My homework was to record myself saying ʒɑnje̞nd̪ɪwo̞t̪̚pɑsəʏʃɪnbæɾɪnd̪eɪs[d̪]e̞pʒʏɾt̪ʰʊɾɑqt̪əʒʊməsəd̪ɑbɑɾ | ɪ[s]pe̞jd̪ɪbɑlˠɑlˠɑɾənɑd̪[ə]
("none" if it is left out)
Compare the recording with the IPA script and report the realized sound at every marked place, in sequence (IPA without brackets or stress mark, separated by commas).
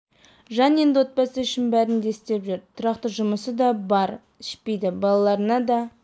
t̪, ʃ, ɑ